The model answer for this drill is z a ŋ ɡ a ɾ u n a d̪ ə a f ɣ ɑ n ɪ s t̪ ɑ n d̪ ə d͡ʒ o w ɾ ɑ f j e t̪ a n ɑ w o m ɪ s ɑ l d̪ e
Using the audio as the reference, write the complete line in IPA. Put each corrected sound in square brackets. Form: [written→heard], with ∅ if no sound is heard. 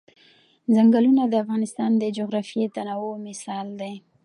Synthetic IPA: z a ŋ ɡ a [ɾ→l] u n a d̪ ə a f ɣ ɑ n ɪ s t̪ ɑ n d̪ ə d͡ʒ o [w→ɣ] ɾ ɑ f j e t̪ a n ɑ w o m ɪ s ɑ l d̪ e